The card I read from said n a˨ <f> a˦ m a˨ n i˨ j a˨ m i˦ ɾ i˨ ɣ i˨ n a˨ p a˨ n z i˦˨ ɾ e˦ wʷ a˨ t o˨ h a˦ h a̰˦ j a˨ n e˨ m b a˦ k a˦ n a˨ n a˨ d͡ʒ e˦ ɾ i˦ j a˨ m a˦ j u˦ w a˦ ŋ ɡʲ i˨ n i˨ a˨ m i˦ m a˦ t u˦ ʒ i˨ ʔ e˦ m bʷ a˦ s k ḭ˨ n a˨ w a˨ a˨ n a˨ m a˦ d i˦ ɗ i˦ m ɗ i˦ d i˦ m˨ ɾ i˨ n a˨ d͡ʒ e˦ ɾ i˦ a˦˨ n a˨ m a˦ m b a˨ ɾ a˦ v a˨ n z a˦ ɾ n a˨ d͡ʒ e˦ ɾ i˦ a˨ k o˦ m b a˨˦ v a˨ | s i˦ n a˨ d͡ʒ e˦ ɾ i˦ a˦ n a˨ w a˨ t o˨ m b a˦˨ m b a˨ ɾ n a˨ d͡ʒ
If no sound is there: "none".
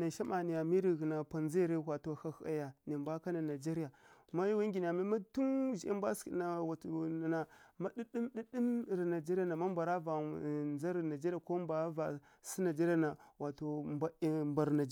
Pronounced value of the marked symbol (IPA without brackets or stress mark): ʃ